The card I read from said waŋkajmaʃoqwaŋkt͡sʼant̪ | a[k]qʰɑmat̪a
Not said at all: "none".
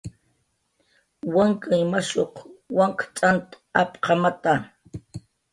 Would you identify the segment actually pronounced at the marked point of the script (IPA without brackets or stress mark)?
p